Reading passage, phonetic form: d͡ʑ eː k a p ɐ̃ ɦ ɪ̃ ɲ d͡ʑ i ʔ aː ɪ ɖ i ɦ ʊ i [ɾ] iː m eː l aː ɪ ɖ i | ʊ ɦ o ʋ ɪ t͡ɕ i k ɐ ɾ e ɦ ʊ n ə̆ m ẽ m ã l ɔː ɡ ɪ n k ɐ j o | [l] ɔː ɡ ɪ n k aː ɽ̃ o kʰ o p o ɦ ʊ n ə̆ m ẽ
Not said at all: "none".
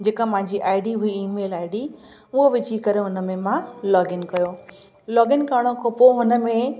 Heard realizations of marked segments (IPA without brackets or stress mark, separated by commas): none, l